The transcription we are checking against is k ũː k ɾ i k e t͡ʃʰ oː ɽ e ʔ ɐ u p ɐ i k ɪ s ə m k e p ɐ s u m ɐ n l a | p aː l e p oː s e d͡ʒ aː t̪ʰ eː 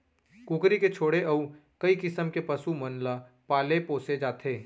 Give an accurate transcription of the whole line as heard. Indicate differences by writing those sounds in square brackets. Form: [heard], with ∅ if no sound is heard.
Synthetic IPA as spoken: k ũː k ɾ i k e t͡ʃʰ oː ɽ e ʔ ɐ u [k] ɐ i k ɪ s ə m k e p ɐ s u m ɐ n l a | p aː l e p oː s e d͡ʒ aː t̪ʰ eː